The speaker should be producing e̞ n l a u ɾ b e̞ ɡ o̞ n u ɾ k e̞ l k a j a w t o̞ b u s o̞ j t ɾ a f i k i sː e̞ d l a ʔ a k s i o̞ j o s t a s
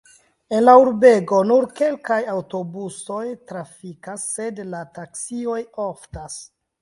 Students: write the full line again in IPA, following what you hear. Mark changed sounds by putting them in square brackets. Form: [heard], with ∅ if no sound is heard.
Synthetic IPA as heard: e̞ n l a u ɾ b e̞ ɡ o̞ n u ɾ k e̞ l k a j a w t o̞ b u s o̞ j t ɾ a f i k [a] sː e̞ d l a [t] a k s i o̞ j o [f] t a s